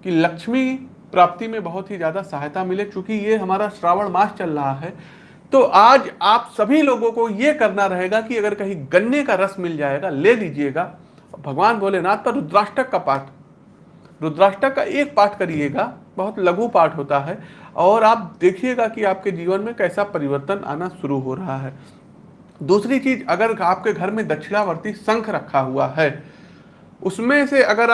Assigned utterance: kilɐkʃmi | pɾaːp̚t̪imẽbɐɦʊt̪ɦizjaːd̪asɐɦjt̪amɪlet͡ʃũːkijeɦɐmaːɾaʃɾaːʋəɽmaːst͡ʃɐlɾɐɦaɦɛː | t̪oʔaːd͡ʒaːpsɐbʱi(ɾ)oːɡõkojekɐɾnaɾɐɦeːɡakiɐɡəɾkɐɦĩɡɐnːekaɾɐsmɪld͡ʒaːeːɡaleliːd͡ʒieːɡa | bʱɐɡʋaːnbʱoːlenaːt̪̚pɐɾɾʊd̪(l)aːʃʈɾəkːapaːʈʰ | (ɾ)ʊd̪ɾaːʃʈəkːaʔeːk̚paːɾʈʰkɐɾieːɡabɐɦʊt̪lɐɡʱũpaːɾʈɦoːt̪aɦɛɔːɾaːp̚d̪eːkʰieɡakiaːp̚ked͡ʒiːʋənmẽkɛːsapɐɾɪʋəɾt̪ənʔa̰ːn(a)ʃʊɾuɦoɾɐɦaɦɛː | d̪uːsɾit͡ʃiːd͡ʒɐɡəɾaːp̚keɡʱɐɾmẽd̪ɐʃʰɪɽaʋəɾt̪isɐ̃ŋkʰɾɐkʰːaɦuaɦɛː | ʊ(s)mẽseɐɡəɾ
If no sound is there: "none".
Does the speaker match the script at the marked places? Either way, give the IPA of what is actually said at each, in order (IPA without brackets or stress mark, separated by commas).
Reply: l, ɾ, ɾ, a, s